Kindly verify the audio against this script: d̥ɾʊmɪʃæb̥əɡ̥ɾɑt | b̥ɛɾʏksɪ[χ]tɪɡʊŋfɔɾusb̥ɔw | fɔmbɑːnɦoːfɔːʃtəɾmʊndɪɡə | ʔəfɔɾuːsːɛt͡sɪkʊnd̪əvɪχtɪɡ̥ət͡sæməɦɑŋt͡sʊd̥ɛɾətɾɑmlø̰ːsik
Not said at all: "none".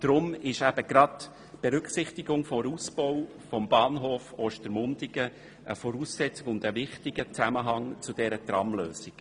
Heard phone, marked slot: χ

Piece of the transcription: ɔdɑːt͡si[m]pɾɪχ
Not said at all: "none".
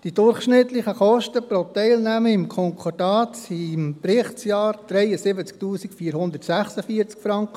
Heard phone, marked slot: m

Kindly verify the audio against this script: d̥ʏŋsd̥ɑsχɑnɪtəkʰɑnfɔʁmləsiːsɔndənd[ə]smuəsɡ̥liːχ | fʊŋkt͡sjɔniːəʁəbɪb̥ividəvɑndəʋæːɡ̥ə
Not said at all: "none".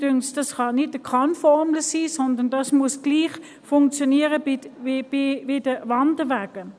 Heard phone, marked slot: ɑ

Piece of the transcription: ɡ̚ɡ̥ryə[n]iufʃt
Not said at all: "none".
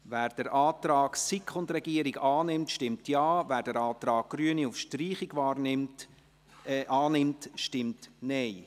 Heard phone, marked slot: n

